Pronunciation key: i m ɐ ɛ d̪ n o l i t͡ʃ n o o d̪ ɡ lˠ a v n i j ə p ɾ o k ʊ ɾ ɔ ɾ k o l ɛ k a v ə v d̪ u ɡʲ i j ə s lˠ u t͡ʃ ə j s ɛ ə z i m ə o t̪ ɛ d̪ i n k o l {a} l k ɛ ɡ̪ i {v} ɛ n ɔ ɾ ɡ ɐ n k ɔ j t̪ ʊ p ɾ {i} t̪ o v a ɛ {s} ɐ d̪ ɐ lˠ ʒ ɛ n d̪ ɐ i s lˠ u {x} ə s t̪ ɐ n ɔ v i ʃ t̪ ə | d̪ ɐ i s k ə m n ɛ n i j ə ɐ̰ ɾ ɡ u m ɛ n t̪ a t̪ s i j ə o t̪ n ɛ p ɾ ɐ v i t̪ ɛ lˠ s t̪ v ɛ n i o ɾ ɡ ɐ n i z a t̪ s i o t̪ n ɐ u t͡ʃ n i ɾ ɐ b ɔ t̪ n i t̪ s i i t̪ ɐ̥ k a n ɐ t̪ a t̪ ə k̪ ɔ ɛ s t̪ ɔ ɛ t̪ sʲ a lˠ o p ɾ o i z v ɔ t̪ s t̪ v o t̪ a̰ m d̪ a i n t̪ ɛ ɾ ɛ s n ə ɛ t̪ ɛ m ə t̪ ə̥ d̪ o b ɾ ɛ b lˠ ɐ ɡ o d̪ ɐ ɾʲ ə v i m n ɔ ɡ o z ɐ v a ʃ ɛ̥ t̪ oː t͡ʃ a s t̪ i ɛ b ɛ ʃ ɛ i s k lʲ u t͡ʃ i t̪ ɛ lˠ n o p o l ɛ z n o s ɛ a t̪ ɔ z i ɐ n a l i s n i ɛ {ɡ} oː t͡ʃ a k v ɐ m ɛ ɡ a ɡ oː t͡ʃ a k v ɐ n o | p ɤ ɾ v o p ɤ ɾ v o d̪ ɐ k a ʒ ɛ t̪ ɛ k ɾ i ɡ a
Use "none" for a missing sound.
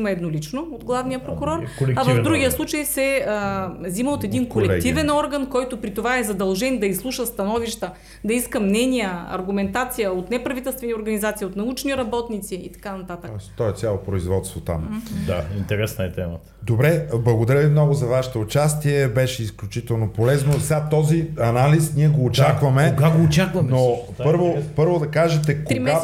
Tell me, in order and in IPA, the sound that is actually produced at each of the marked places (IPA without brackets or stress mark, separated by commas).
ɛ, v, i, z, ʃ, ɡ